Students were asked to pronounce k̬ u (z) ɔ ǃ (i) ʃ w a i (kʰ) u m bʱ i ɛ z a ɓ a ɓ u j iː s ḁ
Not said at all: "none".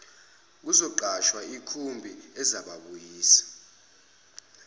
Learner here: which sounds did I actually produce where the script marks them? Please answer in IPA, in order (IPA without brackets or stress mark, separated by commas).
z, a, kʰ